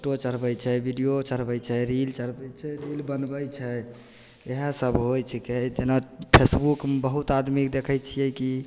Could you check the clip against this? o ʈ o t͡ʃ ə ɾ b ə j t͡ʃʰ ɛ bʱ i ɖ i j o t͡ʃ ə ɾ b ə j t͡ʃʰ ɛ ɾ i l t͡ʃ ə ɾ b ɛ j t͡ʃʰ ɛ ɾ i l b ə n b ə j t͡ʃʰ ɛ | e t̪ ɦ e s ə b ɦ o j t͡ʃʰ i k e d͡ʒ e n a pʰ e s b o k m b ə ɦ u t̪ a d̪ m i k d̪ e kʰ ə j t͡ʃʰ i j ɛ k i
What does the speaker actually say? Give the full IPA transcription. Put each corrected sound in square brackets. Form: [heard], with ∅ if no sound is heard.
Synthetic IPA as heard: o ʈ o t͡ʃ ə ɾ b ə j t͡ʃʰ ɛ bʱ i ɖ i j o t͡ʃ ə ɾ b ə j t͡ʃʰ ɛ ɾ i l t͡ʃ ə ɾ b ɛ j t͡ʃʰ ɛ ɾ i l b ə n b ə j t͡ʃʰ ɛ | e [∅] ɦ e s ə b ɦ o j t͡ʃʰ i k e d͡ʒ e n a pʰ e s b [u] k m b ə ɦ u t̪ a d̪ m i k d̪ e kʰ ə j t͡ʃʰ i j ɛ k i